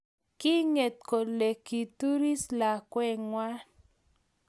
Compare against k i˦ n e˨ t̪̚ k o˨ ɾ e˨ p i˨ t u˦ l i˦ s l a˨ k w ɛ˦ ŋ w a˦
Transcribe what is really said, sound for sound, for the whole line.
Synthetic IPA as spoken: k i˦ ŋ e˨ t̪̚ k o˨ l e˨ k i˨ t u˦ ɾ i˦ s l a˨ k w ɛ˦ ŋ w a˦

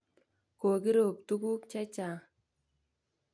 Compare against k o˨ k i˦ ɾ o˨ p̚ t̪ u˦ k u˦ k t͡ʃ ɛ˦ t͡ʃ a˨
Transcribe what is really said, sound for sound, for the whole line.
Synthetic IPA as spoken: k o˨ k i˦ ɾ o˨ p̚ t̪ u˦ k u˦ k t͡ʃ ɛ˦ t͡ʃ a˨

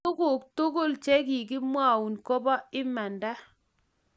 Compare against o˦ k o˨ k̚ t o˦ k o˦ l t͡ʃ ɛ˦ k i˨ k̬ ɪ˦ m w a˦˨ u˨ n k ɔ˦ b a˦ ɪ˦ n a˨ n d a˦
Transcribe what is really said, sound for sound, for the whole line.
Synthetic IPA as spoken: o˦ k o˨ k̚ t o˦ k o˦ l t͡ʃ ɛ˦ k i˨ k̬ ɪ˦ m w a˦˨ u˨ n k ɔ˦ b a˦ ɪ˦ m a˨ n d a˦

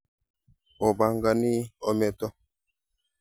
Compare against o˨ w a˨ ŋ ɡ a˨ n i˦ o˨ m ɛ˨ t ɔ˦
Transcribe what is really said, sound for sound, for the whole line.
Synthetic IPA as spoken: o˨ b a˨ ŋ ɡ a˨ n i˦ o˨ m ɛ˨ t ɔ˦

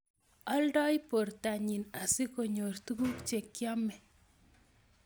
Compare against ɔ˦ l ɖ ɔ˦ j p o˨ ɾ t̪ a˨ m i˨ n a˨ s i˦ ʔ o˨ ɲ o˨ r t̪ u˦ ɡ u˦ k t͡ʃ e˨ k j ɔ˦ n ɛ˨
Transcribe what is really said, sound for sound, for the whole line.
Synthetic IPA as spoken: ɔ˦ l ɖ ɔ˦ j p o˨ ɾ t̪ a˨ ɲ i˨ n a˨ s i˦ k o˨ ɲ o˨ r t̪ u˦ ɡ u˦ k t͡ʃ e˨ k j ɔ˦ m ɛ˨

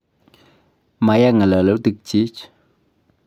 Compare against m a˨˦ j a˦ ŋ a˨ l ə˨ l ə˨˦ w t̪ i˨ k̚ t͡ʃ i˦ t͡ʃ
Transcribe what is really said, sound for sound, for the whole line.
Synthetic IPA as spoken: m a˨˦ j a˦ ŋ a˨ l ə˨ l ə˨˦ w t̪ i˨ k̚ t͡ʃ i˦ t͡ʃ

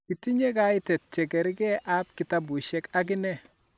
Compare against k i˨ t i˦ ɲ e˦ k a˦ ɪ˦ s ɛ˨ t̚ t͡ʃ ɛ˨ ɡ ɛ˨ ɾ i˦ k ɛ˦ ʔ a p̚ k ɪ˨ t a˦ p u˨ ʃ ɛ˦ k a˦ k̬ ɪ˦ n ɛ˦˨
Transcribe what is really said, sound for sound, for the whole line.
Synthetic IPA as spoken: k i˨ t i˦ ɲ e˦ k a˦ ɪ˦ t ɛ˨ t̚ t͡ʃ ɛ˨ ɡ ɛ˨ ɾ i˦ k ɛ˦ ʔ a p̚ k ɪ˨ t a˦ b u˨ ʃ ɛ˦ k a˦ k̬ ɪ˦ n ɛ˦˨

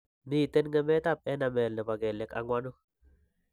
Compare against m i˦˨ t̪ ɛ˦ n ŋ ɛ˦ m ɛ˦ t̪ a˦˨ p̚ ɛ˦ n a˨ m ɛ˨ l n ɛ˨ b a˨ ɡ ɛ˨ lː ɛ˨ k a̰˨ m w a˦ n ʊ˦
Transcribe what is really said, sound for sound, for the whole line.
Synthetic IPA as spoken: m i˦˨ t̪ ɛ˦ n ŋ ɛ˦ m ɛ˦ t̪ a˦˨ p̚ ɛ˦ n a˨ m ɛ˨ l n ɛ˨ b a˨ ɡ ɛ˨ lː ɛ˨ k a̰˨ ŋ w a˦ n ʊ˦

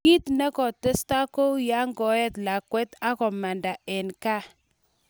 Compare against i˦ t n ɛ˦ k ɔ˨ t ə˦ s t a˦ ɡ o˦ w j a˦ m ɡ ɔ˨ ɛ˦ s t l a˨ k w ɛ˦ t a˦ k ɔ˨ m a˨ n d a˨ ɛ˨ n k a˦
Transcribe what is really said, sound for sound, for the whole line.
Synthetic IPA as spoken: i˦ t n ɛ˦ k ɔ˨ t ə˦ s t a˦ k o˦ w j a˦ ŋ ɡ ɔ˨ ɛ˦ t l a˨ k w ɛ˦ t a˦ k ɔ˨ m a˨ n d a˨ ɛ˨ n k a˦

